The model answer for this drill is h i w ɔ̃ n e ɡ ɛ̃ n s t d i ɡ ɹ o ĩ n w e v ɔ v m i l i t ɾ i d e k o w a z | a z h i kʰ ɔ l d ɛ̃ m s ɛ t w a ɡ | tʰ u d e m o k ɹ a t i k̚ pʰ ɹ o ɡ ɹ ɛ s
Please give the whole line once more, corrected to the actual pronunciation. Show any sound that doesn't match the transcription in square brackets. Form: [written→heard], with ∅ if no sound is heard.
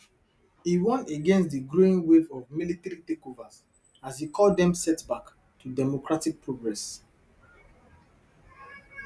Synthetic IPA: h i w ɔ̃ n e ɡ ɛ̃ n s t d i ɡ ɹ o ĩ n w e v ɔ v m i l i t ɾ i [d→t] e k o [w→v] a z | a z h i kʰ ɔ l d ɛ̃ m s ɛ t [w→b] a [ɡ→k] | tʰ u d [e→ɛ] m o k ɹ a t i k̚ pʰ ɹ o ɡ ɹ ɛ s